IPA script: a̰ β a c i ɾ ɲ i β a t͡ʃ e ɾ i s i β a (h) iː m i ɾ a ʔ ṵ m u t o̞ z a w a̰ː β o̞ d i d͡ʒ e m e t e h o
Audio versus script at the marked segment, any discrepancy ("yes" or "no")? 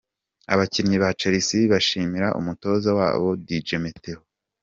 yes